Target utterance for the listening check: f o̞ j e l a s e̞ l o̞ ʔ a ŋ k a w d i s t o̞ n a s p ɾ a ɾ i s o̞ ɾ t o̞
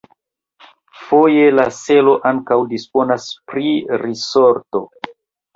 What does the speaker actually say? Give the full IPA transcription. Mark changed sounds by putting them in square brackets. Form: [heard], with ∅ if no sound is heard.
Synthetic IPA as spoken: f o̞ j e l a s e̞ l o̞ ʔ a ŋ k a w d i s [p] o̞ n a s p ɾ [i] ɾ i s o̞ ɾ t o̞